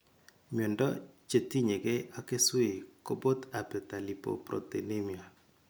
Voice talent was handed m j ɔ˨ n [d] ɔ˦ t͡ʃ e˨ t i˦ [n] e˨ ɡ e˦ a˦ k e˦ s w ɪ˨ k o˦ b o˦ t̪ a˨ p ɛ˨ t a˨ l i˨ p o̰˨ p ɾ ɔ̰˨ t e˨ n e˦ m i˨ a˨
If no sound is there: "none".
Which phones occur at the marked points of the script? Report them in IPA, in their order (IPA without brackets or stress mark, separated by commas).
d, ɲ